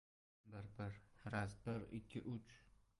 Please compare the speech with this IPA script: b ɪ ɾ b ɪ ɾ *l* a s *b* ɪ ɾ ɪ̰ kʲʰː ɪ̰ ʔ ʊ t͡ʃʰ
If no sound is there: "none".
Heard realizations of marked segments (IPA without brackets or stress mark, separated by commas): ɾ, b